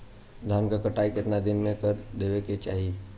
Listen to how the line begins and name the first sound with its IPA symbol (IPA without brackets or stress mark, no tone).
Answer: d̪ʱ